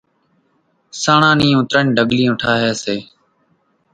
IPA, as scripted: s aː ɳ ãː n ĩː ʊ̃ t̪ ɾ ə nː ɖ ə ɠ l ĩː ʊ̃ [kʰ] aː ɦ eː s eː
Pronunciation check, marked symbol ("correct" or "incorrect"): incorrect